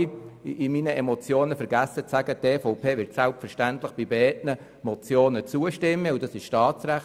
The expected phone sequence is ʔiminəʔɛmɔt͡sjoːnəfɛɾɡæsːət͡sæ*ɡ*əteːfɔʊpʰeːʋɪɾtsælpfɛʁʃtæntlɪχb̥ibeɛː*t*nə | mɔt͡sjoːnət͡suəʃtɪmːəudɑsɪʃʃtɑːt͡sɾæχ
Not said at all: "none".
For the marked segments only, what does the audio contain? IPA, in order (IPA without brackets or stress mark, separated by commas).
ɡ, t